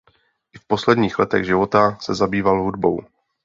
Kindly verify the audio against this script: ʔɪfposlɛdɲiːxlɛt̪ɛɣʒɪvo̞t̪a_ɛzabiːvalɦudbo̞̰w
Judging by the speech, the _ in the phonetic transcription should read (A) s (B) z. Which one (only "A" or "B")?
A